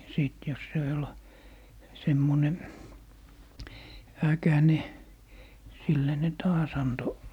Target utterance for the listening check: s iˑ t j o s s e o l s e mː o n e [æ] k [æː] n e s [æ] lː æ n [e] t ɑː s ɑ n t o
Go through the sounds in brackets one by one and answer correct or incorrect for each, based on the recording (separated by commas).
correct, incorrect, incorrect, correct